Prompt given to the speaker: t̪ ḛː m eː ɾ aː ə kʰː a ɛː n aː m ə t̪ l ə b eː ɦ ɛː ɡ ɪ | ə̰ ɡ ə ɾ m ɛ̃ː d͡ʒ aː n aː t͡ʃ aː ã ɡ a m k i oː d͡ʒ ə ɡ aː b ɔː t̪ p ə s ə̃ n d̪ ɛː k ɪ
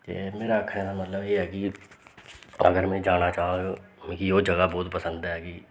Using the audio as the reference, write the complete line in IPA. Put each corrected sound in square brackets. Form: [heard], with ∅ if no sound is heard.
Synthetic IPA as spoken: t̪ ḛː m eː ɾ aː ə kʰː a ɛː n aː m ə t̪ l ə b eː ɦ ɛː [k] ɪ | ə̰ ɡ ə ɾ m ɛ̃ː d͡ʒ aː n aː t͡ʃ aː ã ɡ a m k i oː d͡ʒ ə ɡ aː b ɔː t̪ p ə s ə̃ n d̪ ɛː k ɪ